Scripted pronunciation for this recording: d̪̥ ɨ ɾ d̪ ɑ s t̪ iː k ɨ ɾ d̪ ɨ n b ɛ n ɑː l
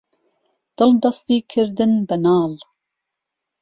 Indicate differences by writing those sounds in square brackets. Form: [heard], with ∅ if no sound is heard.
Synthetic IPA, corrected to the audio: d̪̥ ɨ [l] d̪ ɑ s t̪ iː [kʰ] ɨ ɾ d̪ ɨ n b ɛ n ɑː l

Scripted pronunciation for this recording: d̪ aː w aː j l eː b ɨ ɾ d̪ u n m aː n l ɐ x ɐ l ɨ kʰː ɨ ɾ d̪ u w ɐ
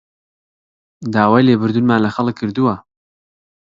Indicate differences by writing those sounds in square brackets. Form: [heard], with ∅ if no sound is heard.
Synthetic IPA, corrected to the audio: d̪ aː w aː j l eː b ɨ ɾ d̪ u n m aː n l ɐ x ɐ l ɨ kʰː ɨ ɾ d̪ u w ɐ

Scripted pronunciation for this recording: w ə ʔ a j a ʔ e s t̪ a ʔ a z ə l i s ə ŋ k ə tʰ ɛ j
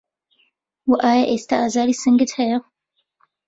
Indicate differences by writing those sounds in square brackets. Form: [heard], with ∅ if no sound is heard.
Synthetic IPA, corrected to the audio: w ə ʔ a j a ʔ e s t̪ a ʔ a z [a] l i s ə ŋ [ɡ] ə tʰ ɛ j

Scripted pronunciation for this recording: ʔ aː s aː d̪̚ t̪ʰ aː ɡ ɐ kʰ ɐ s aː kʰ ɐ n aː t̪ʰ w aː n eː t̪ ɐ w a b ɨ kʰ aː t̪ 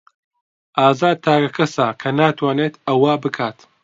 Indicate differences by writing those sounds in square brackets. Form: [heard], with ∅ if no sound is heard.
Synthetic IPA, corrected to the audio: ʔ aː [z] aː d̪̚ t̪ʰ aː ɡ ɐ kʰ ɐ s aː kʰ ɐ n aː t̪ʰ w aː n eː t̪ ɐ w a b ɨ kʰ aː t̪

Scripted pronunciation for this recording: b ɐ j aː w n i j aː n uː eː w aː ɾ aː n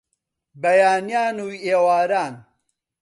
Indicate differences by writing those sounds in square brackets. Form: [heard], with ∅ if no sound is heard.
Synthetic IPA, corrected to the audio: b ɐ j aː [∅] n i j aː n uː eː w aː ɾ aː n

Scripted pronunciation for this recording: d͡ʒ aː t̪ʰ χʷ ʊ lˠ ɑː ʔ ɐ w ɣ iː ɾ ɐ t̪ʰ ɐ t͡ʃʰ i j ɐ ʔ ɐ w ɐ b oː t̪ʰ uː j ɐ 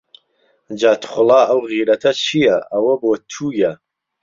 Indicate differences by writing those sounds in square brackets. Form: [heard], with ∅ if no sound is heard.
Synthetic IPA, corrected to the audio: d͡ʒ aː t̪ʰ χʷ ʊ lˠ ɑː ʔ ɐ w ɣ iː ɾ ɐ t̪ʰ ɐ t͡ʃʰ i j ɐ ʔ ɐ w ɐ b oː t̪ʰ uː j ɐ

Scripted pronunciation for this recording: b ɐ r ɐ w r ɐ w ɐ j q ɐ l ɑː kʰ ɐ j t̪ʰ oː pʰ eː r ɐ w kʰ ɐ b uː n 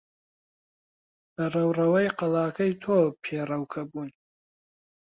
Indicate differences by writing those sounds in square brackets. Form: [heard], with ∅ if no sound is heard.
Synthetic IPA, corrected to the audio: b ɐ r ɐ w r ɐ w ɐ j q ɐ l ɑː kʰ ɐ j t̪ʰ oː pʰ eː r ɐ w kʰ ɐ b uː n

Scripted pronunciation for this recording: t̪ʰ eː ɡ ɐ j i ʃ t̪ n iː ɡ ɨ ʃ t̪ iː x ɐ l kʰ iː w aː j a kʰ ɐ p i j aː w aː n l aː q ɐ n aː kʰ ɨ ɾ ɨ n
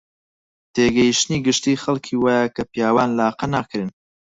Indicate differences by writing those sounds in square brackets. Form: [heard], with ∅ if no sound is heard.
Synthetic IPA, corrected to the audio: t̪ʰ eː ɡ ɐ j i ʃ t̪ n iː ɡ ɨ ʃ t̪ iː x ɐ l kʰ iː w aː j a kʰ ɐ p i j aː w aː n l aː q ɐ n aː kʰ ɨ ɾ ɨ n

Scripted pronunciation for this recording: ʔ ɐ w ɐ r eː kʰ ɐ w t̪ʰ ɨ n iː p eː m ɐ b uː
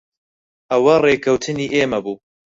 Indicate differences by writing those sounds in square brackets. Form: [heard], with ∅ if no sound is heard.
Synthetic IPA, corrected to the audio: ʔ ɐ w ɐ r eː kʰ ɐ w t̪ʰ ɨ n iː [ʔ] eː m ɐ b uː

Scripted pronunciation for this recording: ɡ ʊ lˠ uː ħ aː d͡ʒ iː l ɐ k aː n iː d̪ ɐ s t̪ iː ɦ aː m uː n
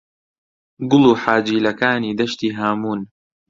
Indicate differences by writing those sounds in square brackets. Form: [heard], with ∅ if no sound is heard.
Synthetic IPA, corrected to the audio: ɡ ʊ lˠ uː ħ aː d͡ʒ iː l ɐ k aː n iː d̪ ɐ [ʃ] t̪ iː ɦ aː m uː n

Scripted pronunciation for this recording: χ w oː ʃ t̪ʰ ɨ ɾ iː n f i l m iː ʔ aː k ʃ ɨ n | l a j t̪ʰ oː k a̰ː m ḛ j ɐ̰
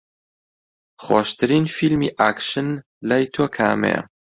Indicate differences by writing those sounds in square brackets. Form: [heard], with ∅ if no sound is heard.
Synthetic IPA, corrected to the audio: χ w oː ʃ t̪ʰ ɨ ɾ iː n f i l m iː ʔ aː k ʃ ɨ n | l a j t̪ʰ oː [kʰ] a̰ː m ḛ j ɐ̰

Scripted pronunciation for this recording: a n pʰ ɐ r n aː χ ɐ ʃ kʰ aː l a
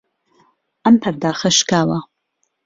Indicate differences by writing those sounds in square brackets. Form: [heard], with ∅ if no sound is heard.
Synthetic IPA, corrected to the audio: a [m] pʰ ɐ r [d] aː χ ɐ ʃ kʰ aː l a

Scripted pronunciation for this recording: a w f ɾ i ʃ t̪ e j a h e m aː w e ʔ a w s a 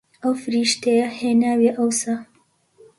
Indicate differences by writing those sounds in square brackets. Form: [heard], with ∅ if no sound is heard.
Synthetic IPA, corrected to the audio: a w f ɾ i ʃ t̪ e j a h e [n] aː w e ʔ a w s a

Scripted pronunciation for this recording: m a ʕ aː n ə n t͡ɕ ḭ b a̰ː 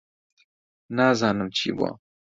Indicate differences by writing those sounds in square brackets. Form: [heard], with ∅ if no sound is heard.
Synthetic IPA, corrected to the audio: [n] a [z] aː n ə [m] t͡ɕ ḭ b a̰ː

